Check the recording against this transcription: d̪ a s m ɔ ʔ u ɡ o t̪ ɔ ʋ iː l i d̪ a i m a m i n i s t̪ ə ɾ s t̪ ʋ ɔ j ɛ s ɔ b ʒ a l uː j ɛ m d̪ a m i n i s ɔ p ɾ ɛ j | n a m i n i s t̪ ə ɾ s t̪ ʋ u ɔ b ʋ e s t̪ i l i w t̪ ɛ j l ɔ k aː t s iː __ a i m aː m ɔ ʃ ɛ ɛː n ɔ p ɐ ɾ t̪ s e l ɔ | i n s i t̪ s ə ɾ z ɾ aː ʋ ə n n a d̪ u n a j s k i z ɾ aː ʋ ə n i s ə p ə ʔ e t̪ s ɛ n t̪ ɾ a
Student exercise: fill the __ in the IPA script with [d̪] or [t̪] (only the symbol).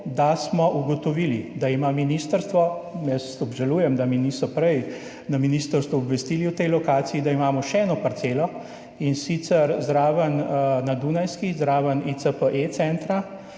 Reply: d̪